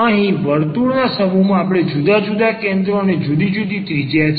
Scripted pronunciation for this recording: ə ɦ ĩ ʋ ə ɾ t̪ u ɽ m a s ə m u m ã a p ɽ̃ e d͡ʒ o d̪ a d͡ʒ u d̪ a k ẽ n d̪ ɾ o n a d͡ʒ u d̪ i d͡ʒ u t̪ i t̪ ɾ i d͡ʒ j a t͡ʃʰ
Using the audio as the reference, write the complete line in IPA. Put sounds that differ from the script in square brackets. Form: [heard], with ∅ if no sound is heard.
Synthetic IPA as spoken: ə ɦ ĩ ʋ ə ɾ t̪ u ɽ [n] a s ə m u m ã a p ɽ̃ e d͡ʒ [u] d̪ a d͡ʒ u d̪ a k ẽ n d̪ ɾ o n [e] d͡ʒ u d̪ i d͡ʒ u [d̪] i t̪ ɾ i d͡ʒ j a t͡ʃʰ